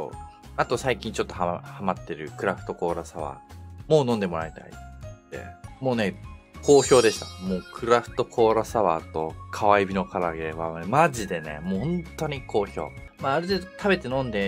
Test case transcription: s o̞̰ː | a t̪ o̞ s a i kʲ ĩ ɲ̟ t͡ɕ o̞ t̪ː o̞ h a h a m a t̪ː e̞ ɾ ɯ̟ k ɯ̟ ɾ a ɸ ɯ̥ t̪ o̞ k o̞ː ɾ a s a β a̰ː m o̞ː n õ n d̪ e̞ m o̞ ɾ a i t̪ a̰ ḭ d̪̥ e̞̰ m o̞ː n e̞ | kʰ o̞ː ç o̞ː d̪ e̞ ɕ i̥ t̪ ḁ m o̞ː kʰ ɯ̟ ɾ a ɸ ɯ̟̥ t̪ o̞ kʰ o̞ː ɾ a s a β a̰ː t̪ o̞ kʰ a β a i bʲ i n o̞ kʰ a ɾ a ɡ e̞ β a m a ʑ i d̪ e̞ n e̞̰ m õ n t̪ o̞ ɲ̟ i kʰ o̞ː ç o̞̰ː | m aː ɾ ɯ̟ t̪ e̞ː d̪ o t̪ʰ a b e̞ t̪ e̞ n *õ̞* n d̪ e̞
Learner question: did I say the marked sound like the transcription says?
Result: yes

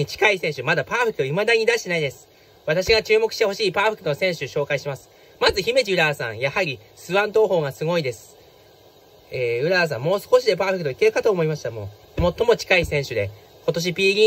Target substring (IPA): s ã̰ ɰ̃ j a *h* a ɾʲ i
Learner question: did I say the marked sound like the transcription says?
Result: yes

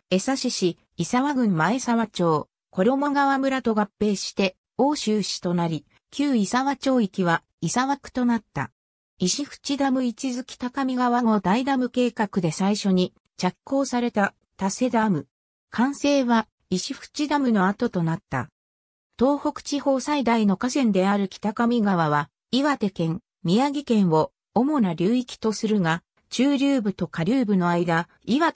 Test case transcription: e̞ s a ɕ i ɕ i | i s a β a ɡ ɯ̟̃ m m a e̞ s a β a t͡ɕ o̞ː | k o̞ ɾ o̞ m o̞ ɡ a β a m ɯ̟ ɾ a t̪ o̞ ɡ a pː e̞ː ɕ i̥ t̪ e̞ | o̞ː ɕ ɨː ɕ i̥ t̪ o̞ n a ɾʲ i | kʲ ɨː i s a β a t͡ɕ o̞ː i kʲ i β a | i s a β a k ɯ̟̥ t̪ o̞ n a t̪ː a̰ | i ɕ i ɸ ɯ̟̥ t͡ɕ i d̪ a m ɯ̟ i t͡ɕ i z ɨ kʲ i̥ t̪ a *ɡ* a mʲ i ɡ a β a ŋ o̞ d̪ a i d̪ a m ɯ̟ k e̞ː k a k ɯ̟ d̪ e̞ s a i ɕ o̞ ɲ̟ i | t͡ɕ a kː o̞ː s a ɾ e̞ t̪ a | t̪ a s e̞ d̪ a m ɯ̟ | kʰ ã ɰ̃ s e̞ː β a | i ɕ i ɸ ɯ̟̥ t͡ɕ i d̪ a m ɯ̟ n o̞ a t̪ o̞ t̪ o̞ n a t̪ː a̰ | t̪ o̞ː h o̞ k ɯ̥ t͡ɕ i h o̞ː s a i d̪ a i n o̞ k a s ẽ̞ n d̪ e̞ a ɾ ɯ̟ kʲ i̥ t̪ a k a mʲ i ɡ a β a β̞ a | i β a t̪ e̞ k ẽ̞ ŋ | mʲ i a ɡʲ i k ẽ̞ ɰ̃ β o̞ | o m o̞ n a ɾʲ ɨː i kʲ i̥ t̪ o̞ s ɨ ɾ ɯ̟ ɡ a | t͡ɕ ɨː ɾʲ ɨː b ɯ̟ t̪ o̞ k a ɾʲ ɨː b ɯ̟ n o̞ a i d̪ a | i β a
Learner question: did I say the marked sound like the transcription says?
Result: no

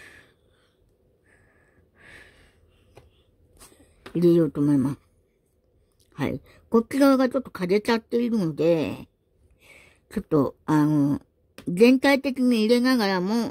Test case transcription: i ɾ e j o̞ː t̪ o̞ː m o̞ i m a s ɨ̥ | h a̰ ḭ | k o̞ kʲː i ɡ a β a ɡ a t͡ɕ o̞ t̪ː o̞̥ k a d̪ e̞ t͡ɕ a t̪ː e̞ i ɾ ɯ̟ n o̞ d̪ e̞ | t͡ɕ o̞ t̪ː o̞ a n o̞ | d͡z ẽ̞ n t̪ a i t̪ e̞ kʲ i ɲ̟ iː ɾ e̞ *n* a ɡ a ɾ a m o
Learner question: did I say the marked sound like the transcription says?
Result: yes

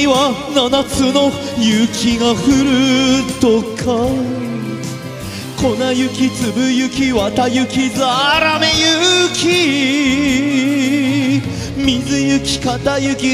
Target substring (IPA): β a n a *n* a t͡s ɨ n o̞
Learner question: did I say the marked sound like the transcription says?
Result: yes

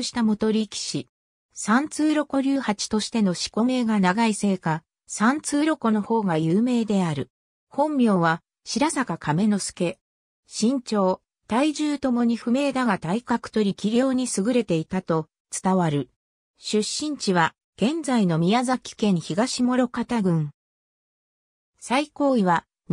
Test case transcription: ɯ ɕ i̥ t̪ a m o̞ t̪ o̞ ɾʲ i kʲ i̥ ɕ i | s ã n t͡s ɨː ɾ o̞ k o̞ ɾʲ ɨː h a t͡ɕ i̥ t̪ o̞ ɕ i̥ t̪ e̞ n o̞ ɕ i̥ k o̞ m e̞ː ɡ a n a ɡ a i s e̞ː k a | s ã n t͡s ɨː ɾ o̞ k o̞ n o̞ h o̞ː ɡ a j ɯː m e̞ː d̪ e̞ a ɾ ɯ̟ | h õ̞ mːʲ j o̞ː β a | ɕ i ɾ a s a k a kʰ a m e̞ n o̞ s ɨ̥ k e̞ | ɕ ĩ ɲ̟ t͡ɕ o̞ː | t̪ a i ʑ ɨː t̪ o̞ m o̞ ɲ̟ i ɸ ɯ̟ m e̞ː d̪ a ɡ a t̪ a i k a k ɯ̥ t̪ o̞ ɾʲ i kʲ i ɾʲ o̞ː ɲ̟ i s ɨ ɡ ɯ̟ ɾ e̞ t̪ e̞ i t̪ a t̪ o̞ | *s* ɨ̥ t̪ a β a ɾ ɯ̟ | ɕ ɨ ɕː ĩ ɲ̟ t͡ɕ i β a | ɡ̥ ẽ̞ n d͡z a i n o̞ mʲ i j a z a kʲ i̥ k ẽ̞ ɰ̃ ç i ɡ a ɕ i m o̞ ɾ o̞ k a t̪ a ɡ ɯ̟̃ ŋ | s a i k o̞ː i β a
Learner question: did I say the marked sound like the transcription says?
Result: no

